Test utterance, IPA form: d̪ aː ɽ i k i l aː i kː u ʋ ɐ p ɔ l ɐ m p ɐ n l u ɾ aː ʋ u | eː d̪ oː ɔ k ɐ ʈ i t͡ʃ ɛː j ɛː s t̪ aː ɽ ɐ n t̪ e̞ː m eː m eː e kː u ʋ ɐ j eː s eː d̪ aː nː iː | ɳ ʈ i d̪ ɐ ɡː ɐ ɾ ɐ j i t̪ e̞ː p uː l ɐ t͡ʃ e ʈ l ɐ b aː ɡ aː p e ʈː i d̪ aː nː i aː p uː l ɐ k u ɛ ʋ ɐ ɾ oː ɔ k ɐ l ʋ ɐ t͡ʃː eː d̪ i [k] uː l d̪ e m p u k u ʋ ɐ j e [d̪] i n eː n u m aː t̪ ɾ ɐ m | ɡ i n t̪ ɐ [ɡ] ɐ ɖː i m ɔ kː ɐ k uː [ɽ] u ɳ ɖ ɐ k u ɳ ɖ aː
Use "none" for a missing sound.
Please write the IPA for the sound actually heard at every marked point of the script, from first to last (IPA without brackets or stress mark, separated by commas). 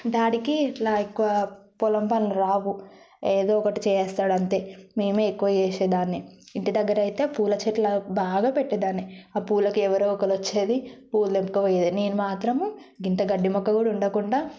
p, d̪, ɡ, ɽ